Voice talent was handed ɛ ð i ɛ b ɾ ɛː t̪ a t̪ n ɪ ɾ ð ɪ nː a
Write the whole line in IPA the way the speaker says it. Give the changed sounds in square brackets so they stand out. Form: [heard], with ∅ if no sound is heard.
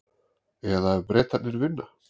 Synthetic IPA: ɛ ð [a] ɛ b ɾ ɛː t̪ a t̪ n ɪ ɾ [v] ɪ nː a